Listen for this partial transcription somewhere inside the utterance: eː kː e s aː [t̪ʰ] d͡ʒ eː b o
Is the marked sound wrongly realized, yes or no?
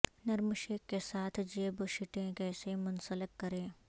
no